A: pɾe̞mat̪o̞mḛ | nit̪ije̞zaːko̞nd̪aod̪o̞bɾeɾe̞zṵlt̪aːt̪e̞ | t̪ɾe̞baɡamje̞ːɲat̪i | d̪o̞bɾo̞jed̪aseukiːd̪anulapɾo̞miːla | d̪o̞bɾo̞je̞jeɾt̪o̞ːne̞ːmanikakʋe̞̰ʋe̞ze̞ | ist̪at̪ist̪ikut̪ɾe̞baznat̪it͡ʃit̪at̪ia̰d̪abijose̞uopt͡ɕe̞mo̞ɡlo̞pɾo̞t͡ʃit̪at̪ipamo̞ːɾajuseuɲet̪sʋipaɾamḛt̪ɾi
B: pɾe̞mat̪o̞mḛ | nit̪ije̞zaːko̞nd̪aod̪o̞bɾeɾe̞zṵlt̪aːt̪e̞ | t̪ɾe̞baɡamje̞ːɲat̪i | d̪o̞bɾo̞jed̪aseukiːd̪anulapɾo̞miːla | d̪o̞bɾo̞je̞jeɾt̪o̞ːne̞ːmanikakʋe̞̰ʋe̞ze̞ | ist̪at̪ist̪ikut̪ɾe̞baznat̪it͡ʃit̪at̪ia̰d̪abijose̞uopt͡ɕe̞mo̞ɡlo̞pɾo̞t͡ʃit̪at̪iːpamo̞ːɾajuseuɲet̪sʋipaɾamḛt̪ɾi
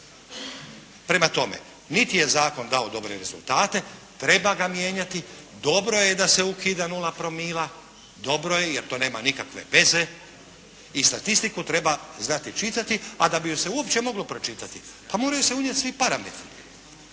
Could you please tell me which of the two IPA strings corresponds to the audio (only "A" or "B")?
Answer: A